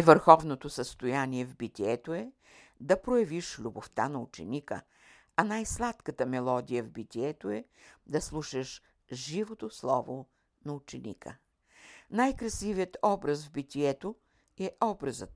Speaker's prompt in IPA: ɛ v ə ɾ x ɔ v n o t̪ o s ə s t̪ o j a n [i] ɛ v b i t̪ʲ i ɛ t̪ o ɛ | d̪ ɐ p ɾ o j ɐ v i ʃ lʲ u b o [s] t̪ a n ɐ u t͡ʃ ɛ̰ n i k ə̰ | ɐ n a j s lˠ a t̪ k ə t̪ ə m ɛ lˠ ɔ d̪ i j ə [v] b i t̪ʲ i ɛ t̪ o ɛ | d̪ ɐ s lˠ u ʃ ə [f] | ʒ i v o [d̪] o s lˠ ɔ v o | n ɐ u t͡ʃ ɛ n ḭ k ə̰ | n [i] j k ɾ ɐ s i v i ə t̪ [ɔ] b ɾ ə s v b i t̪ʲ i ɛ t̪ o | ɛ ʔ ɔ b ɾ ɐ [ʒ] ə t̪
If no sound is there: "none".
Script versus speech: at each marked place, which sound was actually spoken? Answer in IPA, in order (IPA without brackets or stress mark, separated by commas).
i, f, v, ʃ, t̪, a, ɔ, z